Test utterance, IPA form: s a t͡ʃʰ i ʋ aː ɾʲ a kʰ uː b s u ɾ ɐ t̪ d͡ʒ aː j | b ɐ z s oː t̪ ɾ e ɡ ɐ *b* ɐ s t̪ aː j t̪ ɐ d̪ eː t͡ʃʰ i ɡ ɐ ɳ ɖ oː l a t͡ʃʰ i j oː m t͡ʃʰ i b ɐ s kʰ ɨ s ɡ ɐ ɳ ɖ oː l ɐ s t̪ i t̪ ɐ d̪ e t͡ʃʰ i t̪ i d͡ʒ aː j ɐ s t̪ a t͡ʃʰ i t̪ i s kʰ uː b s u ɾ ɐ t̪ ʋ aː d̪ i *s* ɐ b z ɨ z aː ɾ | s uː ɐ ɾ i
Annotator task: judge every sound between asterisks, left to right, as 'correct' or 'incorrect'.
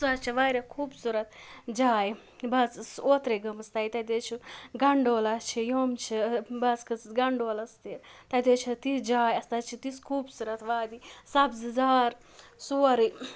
incorrect, correct

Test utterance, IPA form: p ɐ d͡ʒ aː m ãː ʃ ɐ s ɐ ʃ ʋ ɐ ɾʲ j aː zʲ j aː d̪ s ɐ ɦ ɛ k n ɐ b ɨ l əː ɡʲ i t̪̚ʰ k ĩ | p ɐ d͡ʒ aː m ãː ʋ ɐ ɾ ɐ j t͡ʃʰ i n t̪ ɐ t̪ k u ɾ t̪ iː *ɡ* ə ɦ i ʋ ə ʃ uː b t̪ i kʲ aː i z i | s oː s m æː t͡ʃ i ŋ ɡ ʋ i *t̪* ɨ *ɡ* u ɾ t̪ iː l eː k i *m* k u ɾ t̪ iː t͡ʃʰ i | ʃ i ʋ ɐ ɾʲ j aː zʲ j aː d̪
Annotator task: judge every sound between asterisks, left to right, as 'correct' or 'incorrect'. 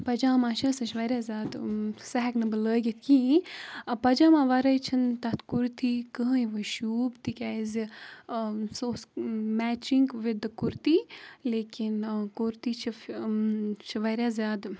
incorrect, incorrect, incorrect, incorrect

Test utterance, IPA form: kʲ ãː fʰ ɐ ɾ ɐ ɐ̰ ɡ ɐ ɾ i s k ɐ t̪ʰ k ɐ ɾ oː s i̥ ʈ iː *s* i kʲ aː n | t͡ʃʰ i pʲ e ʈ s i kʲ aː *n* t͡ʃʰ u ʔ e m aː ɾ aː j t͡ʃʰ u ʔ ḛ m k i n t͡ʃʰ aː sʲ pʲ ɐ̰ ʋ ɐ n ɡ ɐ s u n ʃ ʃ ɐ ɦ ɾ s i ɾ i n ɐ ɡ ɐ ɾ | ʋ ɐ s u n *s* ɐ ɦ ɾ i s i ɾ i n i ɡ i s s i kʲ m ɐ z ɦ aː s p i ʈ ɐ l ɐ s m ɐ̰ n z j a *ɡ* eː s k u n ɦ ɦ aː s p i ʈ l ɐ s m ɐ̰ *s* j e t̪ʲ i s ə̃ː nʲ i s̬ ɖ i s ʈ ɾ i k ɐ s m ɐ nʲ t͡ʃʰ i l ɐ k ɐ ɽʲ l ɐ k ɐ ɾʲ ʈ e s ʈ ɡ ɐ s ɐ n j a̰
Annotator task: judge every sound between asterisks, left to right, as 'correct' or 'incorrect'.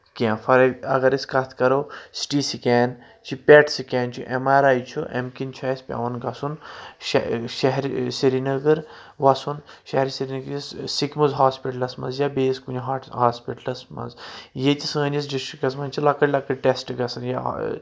correct, correct, incorrect, incorrect, incorrect

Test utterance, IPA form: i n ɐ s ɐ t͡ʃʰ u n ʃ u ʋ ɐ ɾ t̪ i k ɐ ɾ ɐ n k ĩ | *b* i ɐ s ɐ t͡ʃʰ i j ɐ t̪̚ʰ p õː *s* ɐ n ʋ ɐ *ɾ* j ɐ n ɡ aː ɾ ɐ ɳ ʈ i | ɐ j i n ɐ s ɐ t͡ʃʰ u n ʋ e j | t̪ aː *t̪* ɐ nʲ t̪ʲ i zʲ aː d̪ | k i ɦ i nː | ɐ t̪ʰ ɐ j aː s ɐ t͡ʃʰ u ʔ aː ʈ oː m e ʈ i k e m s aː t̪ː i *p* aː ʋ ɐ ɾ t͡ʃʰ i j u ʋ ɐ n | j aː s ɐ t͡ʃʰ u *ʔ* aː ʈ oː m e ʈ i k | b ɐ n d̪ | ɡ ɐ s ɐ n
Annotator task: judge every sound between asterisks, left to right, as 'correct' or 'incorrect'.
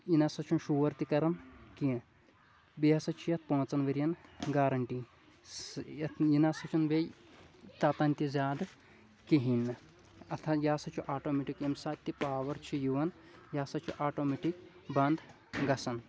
correct, incorrect, correct, correct, correct, correct

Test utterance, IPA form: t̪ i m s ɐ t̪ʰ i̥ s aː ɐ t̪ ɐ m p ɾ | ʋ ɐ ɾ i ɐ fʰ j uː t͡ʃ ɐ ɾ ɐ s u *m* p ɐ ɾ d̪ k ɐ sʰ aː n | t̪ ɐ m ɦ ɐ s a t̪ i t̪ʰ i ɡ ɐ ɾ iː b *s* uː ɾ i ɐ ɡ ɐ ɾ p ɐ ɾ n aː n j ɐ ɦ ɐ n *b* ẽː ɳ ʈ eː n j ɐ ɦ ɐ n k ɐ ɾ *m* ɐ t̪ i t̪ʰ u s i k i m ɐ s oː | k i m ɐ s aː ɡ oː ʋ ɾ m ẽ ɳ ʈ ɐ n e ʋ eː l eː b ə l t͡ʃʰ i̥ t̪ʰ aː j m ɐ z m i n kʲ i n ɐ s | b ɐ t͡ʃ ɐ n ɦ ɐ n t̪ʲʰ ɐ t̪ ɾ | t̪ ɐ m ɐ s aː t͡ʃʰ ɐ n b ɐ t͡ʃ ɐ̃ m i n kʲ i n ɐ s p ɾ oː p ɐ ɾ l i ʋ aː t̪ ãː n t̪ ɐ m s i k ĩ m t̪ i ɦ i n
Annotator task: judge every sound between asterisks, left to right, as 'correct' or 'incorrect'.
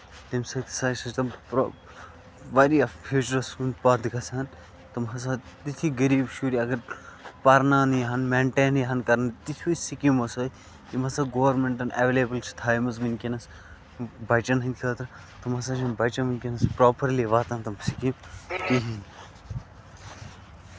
incorrect, incorrect, incorrect, incorrect

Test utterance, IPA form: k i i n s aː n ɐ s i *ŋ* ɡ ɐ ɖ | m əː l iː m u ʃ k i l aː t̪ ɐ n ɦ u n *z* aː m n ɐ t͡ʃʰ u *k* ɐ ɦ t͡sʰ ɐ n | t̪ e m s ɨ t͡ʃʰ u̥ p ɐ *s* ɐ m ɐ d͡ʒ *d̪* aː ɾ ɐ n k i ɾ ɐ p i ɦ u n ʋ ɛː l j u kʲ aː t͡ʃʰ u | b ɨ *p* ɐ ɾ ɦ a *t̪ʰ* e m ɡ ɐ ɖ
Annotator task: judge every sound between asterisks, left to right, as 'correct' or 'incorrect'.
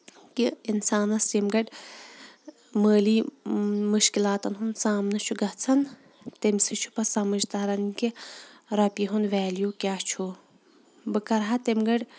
incorrect, incorrect, incorrect, correct, incorrect, incorrect, incorrect

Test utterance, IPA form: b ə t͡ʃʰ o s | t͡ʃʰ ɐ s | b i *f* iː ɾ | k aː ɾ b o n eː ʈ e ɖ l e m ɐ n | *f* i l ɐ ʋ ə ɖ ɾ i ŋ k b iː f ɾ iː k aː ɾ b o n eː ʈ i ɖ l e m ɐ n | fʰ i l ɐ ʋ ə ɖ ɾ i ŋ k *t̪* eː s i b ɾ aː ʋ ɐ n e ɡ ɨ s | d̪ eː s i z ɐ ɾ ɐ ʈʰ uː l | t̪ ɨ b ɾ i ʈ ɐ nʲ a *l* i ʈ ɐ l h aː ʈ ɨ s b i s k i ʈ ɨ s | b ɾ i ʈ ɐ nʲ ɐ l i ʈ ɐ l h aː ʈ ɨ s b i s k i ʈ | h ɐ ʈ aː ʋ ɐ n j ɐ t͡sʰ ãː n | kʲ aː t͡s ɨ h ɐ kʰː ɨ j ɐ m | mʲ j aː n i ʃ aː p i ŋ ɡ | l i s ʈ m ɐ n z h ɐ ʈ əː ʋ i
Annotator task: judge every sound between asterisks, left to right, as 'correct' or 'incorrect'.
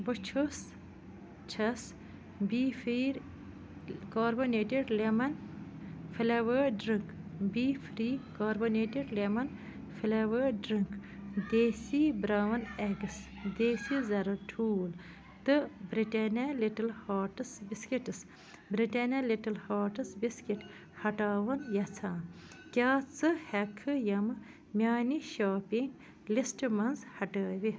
correct, correct, incorrect, correct

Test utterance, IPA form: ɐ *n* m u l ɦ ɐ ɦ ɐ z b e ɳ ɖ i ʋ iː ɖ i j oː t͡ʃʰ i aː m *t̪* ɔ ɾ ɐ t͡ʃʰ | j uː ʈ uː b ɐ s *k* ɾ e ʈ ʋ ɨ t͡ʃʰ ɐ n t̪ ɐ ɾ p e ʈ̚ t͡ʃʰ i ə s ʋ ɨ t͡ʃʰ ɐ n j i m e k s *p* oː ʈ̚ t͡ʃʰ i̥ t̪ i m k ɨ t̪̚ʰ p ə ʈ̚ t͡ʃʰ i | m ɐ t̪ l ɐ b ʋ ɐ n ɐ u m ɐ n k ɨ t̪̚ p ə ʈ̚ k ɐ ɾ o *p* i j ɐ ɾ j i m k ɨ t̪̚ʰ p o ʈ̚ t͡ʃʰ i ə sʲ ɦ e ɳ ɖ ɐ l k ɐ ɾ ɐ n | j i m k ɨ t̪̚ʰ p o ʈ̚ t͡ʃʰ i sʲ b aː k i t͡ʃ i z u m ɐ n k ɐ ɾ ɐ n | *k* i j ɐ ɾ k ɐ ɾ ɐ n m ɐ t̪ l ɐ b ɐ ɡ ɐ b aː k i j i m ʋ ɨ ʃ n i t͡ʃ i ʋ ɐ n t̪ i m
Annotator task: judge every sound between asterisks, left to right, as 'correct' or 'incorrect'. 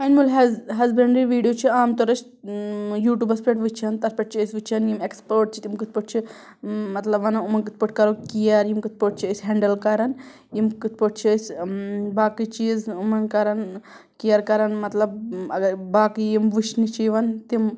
correct, correct, incorrect, correct, incorrect, correct

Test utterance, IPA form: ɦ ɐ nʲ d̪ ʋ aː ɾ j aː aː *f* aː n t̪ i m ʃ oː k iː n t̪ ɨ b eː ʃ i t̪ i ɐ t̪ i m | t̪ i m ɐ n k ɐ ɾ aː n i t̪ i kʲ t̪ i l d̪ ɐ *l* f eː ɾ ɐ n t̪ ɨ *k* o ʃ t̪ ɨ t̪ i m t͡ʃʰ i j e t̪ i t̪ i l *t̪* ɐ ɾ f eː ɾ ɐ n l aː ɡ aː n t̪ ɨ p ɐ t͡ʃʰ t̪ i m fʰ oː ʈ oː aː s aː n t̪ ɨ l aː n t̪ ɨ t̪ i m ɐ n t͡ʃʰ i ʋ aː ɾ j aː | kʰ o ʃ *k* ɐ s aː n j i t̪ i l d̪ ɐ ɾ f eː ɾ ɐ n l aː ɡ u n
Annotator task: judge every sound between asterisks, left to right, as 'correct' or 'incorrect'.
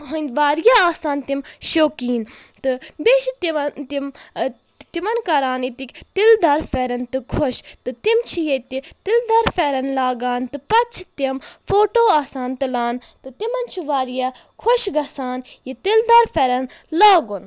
incorrect, incorrect, incorrect, incorrect, incorrect

